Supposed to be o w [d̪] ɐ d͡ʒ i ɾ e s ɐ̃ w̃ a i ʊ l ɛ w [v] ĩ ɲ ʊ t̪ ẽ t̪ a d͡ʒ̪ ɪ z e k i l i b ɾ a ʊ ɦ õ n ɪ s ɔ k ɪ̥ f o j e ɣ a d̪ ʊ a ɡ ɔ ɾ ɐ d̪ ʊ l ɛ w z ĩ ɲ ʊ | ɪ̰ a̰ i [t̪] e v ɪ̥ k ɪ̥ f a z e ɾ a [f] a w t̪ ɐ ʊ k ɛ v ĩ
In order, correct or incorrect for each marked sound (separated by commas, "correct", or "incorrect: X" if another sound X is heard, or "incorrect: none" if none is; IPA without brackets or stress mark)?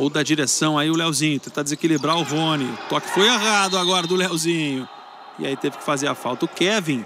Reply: correct, incorrect: z, correct, correct